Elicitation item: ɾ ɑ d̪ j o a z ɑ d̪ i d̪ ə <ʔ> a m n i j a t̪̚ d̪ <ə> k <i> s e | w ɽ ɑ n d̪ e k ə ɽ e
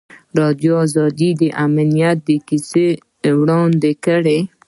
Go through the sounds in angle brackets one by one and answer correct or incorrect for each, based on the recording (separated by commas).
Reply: correct, correct, correct